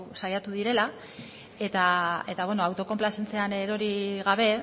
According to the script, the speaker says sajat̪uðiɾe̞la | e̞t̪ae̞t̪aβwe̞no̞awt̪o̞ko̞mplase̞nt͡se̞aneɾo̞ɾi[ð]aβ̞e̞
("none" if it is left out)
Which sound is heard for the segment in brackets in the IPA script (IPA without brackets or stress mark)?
ɣ